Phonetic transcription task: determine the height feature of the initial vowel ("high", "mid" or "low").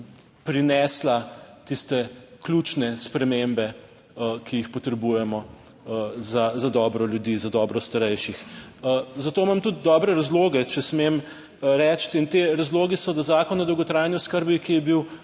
high